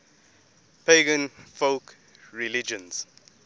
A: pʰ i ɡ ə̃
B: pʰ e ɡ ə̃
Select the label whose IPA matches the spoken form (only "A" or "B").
B